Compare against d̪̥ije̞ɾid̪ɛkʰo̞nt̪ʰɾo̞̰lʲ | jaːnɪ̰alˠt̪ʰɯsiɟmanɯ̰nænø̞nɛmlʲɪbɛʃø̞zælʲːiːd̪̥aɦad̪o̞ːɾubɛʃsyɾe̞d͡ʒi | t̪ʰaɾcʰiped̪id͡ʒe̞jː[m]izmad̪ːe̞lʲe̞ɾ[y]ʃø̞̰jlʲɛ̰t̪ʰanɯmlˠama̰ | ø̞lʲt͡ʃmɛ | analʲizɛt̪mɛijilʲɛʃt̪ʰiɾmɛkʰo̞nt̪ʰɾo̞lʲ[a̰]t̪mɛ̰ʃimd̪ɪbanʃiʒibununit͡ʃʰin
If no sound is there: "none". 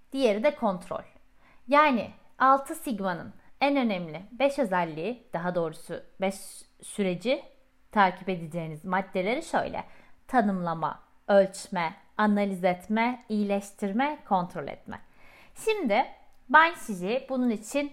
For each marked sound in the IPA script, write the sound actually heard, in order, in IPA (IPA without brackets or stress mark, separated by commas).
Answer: n, i, ɛ̰